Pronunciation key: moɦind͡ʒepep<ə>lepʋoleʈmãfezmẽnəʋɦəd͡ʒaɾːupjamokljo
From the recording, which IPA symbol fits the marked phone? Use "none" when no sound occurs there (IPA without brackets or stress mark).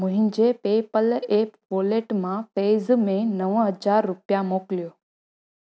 ə